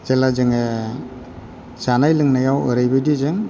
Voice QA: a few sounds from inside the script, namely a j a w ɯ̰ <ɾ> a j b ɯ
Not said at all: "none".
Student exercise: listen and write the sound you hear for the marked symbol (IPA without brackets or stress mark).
ɾ